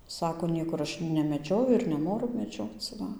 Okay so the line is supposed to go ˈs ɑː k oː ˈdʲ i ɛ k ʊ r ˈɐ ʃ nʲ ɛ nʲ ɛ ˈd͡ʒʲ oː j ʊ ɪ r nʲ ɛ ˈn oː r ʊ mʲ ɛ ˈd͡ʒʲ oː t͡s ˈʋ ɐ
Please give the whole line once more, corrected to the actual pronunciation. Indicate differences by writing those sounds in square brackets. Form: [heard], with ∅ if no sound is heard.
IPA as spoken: ˈs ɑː k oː [ˈnʲ] i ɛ k ʊ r ˈɐ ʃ nʲ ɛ [mʲ] ɛ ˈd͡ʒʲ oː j ʊ ɪ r nʲ ɛ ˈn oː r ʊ mʲ ɛ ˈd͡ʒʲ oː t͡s ˈʋ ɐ